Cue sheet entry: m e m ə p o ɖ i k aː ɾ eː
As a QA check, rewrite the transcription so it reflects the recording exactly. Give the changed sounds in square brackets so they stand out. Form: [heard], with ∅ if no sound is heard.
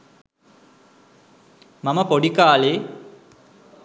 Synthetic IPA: m [a] m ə p o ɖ i k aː [l] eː